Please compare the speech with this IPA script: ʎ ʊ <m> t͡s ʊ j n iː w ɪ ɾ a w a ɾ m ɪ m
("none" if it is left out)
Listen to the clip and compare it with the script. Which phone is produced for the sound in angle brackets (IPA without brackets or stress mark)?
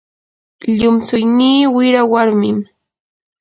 m